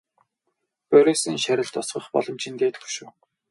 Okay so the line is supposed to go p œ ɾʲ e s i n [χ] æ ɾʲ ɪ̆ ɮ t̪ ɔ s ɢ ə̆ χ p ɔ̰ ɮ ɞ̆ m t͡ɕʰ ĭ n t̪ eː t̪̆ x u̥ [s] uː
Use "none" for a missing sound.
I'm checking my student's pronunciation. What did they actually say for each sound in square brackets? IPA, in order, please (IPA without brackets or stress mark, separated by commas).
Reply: ʃ, ʃ